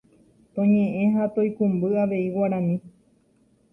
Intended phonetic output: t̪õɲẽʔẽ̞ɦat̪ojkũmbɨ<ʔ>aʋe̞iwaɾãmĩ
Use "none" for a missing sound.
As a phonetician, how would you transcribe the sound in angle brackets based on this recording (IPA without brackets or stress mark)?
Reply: none